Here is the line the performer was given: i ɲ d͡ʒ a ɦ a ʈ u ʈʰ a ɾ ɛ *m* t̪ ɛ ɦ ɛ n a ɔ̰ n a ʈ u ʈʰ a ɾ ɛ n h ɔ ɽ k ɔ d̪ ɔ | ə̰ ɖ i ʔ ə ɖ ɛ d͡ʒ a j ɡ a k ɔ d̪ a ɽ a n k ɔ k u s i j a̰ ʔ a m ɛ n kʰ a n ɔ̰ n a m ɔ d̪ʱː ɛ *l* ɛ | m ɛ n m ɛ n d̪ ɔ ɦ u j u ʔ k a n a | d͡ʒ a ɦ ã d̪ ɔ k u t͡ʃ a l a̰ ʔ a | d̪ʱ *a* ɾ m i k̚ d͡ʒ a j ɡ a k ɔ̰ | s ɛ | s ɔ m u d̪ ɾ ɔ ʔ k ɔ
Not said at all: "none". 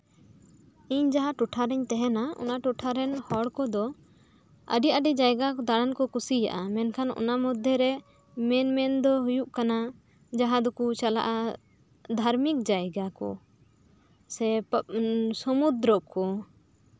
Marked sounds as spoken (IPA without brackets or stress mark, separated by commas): ɲ, ɾ, a